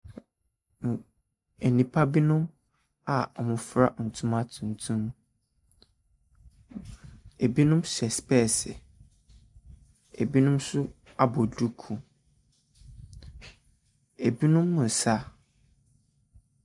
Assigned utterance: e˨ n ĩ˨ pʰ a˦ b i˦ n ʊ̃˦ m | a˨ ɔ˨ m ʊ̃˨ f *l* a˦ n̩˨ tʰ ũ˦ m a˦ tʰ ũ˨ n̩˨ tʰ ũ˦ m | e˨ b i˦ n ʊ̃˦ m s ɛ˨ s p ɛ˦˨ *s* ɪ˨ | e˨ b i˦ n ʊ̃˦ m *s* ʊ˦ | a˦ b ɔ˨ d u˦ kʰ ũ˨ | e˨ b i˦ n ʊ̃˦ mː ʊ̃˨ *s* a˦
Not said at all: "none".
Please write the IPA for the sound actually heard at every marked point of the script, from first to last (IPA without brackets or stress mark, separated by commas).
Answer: ɾ, s, s, s